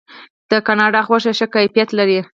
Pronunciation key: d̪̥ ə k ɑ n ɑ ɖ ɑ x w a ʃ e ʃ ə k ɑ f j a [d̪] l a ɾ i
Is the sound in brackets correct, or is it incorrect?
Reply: incorrect: t̪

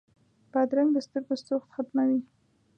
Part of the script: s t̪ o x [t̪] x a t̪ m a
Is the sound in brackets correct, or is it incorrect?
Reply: correct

